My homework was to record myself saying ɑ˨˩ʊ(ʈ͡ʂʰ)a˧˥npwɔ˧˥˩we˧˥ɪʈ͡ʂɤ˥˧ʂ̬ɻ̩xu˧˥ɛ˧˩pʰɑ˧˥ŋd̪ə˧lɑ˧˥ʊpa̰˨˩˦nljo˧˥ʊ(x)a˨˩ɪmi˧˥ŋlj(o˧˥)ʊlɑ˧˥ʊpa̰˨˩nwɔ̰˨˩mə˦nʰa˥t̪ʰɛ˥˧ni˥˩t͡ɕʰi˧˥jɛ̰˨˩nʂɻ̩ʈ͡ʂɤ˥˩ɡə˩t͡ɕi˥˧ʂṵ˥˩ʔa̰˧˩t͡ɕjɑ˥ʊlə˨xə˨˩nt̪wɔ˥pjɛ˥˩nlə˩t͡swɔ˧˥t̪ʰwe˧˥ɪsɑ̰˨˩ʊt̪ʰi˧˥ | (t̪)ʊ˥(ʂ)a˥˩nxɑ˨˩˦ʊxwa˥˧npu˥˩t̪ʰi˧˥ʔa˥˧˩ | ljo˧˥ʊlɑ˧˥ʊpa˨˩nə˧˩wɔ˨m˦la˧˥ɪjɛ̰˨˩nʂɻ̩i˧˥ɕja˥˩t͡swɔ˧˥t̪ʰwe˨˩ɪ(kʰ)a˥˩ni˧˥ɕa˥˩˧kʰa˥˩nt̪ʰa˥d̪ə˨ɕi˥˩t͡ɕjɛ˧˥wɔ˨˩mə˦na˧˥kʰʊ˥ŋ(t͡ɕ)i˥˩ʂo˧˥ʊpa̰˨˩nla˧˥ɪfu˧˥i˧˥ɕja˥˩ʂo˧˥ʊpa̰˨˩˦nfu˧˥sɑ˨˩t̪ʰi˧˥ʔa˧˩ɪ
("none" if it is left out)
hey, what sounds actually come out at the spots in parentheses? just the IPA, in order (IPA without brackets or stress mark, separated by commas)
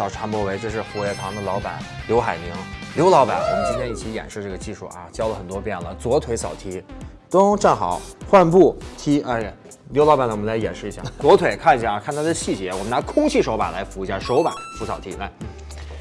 ʈ͡ʂʰ, x, o˧˥, t̪, ʈ͡ʂ, kʰ, t͡ɕʰ